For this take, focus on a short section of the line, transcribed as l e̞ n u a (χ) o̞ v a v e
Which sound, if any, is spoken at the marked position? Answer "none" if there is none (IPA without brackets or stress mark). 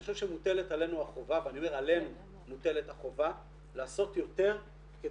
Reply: χ